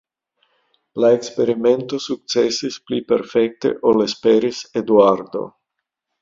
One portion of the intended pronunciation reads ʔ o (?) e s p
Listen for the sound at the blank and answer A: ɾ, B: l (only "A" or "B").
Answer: B